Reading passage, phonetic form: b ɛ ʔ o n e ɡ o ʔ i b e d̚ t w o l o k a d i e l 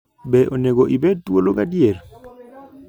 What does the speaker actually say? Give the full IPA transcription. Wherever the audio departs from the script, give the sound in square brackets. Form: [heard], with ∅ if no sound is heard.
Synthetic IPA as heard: b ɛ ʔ o n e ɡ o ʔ i b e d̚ t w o l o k a d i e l